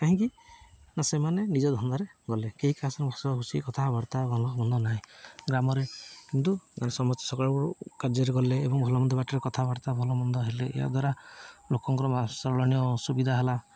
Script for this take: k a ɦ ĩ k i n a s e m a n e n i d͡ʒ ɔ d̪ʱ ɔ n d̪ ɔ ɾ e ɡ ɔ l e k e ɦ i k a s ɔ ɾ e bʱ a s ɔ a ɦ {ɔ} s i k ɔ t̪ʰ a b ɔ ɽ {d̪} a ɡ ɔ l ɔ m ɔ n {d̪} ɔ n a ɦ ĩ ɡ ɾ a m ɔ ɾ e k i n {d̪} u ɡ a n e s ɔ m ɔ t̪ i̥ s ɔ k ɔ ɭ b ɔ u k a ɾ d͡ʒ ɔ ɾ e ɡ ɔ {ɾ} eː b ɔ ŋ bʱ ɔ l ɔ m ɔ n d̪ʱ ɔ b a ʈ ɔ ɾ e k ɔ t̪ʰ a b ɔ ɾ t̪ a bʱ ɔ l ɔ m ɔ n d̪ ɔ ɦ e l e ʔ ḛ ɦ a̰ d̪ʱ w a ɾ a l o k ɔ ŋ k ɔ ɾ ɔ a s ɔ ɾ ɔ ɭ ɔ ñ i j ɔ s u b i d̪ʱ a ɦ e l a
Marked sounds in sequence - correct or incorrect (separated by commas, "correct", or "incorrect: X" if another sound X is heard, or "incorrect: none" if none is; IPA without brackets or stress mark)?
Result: incorrect: u, incorrect: t̪, correct, incorrect: t̪, incorrect: l